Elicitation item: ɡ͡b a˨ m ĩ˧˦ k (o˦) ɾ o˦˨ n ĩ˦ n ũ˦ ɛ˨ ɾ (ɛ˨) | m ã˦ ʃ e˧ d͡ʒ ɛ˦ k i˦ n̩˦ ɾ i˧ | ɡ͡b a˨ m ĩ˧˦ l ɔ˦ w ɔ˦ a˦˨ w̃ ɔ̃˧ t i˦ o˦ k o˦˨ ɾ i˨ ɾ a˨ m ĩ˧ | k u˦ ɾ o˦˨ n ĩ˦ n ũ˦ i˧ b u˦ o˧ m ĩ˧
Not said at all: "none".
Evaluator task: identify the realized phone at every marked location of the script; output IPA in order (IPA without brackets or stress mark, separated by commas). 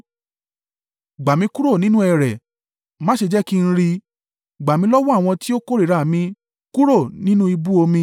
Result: u˦, ɛ˨